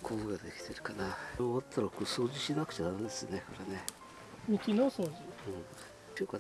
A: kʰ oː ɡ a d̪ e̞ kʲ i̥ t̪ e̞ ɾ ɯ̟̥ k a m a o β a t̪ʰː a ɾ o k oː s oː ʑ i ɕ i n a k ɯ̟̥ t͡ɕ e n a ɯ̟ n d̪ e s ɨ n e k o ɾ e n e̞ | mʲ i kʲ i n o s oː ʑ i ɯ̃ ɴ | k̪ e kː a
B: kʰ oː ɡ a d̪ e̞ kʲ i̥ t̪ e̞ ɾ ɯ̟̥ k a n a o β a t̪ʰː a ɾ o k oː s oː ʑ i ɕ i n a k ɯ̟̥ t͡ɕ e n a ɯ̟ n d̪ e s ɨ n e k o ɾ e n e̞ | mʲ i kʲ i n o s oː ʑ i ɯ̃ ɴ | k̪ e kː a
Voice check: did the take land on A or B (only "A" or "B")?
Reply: B